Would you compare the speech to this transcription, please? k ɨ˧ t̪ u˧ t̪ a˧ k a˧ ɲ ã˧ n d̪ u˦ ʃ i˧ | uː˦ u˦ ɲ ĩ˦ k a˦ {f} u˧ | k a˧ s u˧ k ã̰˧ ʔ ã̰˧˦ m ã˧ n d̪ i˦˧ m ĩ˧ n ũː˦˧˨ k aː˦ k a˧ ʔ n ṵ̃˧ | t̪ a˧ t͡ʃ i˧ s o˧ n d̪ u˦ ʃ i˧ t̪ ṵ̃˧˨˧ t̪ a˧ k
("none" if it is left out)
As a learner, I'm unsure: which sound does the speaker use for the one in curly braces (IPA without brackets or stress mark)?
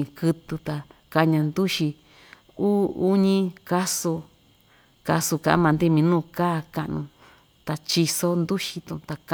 s